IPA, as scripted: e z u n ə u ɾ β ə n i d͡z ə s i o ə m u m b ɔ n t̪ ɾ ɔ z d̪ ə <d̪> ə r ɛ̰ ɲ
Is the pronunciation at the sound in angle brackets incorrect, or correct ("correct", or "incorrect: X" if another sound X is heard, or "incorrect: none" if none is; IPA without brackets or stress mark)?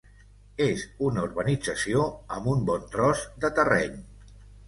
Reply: incorrect: t̪